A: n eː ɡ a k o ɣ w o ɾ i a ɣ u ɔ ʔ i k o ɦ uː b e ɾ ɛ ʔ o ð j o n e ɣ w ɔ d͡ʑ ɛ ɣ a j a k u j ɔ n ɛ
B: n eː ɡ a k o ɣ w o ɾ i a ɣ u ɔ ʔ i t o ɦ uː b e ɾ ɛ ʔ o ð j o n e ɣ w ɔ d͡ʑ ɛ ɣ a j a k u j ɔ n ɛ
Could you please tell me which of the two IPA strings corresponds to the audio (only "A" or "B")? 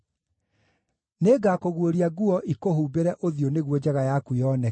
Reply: A